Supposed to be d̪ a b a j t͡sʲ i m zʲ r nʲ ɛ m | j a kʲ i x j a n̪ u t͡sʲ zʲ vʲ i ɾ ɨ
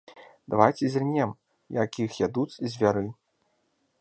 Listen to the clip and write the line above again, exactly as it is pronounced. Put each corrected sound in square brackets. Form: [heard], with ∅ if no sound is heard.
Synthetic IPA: d̪ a [v] a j t͡sʲ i [∅] zʲ r nʲ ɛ m | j a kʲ i x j a [d̪] u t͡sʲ zʲ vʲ [a] ɾ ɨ